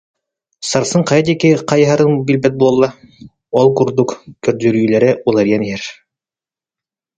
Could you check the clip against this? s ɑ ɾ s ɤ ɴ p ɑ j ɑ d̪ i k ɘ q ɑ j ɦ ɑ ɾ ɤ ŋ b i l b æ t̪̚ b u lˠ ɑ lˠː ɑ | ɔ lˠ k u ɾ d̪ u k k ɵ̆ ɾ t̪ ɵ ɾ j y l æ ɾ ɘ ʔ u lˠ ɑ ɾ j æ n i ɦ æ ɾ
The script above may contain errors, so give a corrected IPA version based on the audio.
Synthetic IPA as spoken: s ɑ ɾ s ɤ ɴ q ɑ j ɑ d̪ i k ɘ q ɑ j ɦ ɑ ɾ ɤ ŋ b i l b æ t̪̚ b u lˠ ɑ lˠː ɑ | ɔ lˠ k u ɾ d̪ u k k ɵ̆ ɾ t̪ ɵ ɾ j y l æ ɾ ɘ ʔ u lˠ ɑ ɾ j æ n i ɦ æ ɾ